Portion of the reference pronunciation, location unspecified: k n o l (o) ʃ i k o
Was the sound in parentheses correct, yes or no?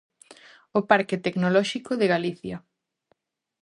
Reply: no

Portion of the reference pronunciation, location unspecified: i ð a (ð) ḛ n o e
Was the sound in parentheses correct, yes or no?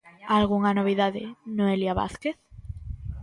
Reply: yes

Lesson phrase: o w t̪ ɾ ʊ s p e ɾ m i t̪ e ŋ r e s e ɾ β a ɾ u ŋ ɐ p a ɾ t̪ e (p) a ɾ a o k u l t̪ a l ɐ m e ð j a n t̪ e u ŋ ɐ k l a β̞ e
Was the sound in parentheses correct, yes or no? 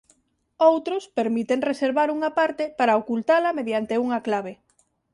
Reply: yes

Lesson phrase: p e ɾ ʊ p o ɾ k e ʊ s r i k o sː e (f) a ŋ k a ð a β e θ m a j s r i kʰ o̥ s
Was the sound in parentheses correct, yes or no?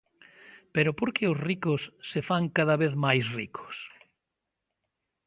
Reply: yes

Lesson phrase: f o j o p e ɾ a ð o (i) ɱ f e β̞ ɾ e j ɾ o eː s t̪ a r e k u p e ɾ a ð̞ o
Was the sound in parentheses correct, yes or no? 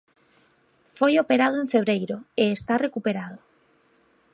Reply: no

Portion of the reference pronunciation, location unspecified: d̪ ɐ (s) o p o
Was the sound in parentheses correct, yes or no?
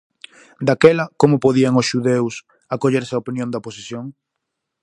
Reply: no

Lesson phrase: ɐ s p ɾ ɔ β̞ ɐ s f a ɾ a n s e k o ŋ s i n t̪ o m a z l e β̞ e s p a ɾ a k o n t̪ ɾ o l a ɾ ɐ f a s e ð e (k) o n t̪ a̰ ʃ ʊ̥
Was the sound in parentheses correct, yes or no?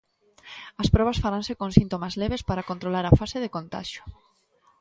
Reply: yes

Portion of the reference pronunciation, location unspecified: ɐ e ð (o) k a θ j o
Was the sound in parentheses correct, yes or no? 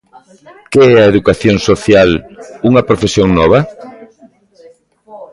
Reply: no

